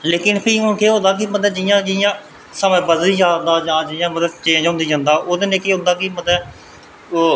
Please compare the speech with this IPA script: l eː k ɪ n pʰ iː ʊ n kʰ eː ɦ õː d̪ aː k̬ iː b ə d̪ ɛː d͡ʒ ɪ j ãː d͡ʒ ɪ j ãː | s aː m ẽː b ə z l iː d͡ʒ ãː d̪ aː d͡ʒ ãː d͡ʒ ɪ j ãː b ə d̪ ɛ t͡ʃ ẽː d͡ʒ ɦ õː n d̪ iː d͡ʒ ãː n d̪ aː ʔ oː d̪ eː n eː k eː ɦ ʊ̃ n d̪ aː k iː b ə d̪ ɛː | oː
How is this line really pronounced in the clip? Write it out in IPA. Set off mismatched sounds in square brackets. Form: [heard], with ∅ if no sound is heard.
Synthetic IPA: l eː k ɪ n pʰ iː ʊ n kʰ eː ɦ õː d̪ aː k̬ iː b ə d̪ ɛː d͡ʒ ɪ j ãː d͡ʒ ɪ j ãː | s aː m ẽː b ə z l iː d͡ʒ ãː d̪ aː d͡ʒ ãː d͡ʒ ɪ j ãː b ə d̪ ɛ t͡ʃ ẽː d͡ʒ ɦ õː n d̪ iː d͡ʒ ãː n d̪ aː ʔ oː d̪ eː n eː k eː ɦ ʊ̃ n d̪ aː k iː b ə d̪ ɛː | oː